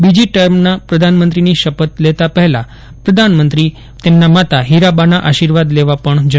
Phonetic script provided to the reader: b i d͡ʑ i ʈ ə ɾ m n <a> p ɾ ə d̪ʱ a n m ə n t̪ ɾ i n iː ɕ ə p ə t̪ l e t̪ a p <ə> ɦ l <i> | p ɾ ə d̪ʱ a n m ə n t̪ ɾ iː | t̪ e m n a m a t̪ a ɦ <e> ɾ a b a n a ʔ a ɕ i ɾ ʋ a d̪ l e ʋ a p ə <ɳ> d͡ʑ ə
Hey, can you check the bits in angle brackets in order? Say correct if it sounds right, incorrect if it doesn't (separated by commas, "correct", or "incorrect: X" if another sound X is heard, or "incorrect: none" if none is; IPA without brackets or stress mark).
correct, correct, incorrect: a, incorrect: i, correct